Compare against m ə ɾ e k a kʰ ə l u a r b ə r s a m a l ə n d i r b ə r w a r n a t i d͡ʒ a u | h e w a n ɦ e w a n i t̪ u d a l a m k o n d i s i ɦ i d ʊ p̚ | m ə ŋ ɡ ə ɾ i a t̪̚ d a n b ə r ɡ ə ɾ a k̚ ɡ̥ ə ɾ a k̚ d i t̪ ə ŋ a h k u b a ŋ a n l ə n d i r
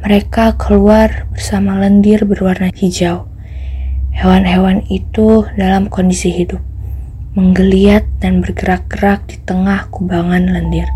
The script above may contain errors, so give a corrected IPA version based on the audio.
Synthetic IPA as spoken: m ə ɾ e k a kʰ ə l u a r b ə r s a m a l ə n d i r b ə r w a r n a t i d͡ʒ a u | h e w a n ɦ e w a n i t̪ u d a l a m k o n d i s i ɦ i d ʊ p̚ | m ə ŋ ɡ ə l i a t̪̚ d a n b ə r ɡ ə ɾ a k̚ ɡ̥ ə ɾ a k̚ d i t̪ ə ŋ a h k u b a ŋ a n l ə n d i r